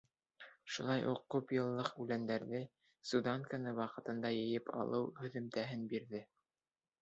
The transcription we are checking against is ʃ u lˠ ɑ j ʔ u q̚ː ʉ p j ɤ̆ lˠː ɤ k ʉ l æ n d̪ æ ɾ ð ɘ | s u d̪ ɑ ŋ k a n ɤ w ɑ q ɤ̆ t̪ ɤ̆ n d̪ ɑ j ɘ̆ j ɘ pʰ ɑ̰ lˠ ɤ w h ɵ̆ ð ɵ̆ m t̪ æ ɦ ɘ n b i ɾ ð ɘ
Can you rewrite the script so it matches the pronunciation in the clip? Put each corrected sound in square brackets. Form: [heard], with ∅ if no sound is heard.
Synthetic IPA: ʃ u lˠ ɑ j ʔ u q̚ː ʉ p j ɤ̆ lˠː ɤ [q] ʉ l æ n d̪ æ ɾ ð ɘ | s u d̪ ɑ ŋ k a n ɤ w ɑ q ɤ̆ t̪ ɤ̆ n d̪ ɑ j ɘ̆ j ɘ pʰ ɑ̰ lˠ ɤ w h ɵ̆ ð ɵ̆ m t̪ æ ɦ ɘ n b i ɾ ð ɘ